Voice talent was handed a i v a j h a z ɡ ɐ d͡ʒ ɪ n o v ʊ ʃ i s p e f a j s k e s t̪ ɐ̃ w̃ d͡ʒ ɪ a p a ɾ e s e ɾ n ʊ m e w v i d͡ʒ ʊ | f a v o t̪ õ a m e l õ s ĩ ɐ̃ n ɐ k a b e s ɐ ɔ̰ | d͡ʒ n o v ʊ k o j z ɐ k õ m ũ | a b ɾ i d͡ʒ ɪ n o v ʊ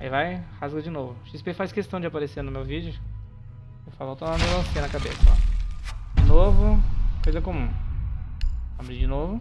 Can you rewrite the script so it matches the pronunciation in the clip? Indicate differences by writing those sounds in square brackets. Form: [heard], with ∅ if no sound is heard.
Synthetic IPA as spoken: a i v a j h a z ɡ ɐ d͡ʒ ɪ n o v ʊ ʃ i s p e f a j s k e s t̪ ɐ̃ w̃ d͡ʒ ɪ a p a ɾ e s e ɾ n ʊ m e w v i d͡ʒ ʊ | f a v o t̪ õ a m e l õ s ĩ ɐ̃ n ɐ k a b e s ɐ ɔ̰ | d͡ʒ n o v ʊ k o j z ɐ k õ m ũ | a b ɾ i d͡ʒ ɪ n o v ʊ